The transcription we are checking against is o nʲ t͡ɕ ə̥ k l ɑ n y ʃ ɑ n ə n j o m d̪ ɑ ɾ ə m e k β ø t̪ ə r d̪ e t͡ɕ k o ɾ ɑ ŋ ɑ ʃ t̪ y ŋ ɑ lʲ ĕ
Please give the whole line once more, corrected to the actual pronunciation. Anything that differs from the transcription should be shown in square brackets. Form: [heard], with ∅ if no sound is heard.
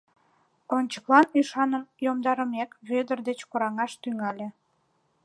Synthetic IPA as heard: o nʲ t͡ɕ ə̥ k l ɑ n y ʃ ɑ n ə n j o m d̪ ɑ ɾ ə m e k β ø [d̪] ə r d̪ e t͡ɕ k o ɾ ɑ ŋ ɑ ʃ t̪ y ŋ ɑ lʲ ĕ